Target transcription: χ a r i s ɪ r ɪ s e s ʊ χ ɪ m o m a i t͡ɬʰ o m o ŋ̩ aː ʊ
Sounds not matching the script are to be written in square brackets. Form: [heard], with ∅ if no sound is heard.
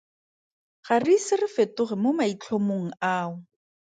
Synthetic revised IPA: χ a r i s ɪ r ɪ [f] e [t] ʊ χ ɪ m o m a i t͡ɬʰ o m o ŋ̩ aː ʊ